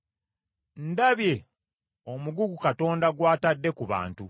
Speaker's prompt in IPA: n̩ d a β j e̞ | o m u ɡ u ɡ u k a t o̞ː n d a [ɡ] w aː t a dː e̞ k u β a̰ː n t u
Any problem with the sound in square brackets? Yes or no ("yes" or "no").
no